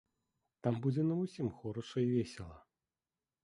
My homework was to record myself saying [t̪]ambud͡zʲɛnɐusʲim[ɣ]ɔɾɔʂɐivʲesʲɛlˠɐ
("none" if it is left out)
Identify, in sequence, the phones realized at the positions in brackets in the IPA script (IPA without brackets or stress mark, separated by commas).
t̪, x